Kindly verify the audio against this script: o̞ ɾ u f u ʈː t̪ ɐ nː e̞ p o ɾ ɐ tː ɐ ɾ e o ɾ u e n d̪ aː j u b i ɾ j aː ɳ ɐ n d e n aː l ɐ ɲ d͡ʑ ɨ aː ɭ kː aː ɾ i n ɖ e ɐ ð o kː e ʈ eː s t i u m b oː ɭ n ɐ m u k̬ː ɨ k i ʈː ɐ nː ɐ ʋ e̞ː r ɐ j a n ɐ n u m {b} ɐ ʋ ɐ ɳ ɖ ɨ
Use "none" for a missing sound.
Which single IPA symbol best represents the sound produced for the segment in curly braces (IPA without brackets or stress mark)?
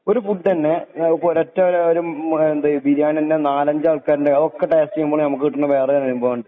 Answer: b